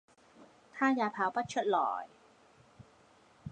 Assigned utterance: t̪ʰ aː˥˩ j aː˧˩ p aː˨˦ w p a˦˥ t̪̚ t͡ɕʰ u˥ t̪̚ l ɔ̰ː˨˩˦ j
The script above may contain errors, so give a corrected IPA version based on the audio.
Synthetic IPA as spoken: t̪ʰ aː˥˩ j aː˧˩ pʰ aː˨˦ w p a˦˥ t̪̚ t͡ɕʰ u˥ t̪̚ l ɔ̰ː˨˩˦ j